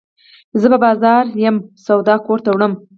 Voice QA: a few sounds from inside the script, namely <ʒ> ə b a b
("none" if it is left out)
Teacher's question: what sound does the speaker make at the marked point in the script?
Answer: z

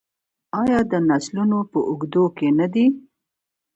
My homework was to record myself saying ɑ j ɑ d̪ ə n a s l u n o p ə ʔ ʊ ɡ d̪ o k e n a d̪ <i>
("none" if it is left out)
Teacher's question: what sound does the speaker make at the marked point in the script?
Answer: i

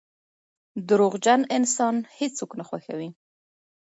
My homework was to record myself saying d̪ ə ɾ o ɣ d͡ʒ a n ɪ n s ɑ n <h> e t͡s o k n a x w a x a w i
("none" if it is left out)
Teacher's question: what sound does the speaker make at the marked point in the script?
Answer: h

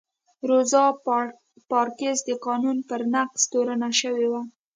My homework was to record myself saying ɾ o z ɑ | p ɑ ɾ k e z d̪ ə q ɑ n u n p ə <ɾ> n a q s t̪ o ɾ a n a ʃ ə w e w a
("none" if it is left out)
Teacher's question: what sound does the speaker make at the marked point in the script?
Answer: ɾ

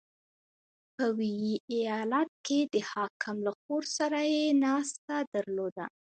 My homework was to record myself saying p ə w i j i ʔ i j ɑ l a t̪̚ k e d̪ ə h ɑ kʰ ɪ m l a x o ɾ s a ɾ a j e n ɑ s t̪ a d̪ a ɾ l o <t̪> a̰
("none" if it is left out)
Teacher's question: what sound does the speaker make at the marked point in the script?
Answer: d̪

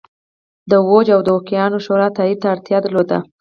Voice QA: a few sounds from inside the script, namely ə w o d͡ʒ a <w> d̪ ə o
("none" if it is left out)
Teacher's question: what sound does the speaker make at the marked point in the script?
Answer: w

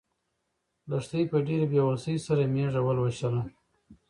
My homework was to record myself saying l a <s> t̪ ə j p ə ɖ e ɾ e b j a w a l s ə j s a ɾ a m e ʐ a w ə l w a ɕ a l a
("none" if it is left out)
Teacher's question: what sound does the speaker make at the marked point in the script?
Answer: ʂ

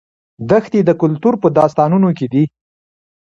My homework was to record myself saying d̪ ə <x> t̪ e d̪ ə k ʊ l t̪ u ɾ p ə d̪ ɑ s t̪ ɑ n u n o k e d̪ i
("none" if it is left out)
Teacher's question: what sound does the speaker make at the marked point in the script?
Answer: x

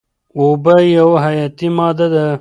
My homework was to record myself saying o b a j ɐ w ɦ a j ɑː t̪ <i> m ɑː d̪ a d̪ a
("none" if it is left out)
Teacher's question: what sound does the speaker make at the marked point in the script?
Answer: i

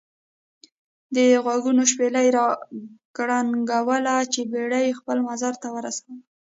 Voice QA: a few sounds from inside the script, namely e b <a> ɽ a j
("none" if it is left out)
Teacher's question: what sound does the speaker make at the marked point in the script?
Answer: e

